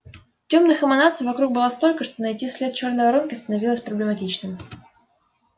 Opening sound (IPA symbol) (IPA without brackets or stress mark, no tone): tʲ